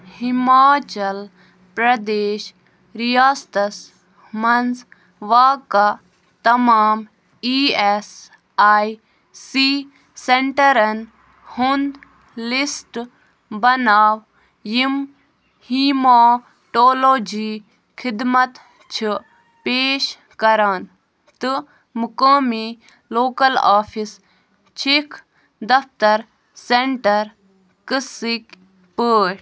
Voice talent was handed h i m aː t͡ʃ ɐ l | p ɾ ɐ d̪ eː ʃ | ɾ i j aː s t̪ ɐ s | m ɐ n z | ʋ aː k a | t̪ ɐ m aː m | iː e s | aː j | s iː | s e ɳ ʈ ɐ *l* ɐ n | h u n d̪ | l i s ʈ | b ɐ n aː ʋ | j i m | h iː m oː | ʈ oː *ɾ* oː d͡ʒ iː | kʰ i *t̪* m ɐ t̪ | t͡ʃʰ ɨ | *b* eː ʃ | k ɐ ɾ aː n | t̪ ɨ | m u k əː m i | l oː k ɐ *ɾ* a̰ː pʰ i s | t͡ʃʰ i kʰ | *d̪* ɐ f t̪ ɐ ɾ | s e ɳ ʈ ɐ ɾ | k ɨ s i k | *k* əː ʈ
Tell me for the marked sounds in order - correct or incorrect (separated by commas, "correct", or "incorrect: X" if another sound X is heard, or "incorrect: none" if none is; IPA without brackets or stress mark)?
incorrect: ɾ, incorrect: l, incorrect: d̪, incorrect: p, incorrect: l, correct, incorrect: p